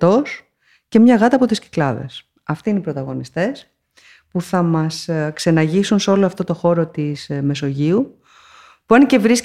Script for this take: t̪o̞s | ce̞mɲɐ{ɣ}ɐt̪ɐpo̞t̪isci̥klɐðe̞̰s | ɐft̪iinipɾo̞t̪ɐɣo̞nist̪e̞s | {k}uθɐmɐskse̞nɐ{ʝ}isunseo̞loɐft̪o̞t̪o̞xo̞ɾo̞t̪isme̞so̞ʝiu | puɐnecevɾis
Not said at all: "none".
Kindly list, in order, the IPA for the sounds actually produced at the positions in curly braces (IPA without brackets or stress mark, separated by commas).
ɣ, p, ʝ